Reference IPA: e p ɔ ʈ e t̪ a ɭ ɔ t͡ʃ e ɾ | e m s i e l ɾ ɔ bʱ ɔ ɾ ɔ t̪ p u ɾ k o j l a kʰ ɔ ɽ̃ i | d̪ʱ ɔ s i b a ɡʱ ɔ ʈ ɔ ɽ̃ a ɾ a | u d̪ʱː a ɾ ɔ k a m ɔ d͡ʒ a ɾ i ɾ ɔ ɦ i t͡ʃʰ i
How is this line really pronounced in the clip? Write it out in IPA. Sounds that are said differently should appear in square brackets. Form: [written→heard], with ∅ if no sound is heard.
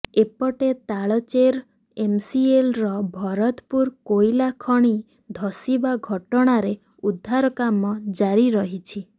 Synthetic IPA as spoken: e p ɔ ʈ e t̪ a ɭ ɔ t͡ʃ e ɾ | e m s i e l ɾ ɔ bʱ ɔ ɾ ɔ t̪ p u ɾ k o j l a kʰ ɔ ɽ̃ i | d̪ʱ ɔ s i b a ɡʱ ɔ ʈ ɔ ɽ̃ a ɾ [a→e] | u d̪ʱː a ɾ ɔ k a m ɔ d͡ʒ a ɾ i ɾ ɔ ɦ i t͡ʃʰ i